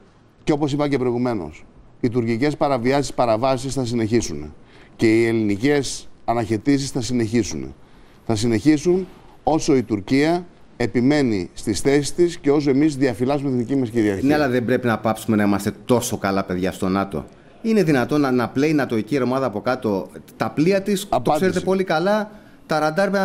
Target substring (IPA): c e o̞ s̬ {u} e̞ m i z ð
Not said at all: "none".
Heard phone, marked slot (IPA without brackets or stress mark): o